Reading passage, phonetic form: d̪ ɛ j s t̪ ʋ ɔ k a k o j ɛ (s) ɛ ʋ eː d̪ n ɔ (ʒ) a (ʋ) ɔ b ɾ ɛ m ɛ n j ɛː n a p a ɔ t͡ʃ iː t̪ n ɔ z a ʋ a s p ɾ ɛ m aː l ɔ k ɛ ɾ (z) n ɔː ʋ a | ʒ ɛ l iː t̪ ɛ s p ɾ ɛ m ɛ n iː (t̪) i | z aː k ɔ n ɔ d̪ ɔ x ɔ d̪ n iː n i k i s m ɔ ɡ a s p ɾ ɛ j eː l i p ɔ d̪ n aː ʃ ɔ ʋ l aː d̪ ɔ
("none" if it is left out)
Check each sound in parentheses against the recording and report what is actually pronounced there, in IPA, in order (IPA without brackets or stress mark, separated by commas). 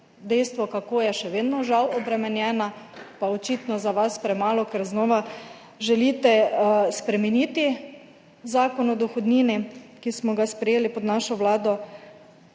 ʃ, ʒ, w, z, t̪